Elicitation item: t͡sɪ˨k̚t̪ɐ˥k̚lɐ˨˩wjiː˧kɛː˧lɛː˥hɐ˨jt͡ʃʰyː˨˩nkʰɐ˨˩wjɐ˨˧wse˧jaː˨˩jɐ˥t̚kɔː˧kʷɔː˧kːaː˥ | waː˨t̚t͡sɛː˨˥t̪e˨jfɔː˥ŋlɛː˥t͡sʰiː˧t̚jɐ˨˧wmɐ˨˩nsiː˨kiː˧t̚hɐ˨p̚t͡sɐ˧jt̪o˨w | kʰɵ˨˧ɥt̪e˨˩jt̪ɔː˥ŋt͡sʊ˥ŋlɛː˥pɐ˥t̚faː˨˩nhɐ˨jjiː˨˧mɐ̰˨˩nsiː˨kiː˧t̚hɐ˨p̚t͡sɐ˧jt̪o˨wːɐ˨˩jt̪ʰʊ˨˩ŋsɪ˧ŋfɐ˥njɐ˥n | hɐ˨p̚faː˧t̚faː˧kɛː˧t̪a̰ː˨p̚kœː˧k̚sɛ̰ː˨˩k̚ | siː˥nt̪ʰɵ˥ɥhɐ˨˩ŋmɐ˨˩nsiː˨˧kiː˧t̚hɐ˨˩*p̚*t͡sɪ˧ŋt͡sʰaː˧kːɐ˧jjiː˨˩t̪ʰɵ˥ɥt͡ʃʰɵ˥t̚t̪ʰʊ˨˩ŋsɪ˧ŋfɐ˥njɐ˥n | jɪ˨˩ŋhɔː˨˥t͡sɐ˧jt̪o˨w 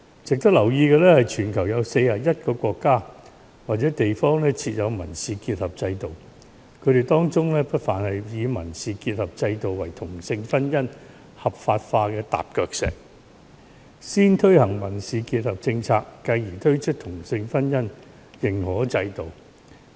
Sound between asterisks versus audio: correct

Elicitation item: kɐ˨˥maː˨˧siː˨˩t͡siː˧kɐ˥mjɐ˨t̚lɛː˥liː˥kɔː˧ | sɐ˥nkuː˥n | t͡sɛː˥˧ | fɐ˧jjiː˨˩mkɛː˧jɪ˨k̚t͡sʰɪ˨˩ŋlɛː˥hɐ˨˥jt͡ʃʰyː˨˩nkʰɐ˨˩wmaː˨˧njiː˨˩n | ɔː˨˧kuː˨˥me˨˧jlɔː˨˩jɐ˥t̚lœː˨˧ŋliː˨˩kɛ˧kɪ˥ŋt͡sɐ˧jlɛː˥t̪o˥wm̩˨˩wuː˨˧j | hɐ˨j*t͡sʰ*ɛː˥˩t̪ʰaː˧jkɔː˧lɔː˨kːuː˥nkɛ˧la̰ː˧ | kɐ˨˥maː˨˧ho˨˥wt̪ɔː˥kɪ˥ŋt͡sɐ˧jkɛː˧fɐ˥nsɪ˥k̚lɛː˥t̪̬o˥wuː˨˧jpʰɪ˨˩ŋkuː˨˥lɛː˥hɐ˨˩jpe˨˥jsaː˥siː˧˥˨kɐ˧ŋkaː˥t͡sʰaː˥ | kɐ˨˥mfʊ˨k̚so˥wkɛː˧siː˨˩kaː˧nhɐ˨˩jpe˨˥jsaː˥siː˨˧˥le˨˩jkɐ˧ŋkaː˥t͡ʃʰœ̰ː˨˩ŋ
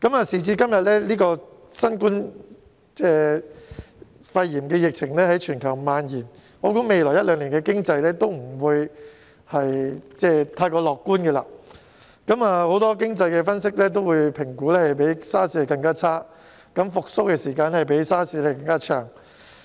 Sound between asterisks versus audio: incorrect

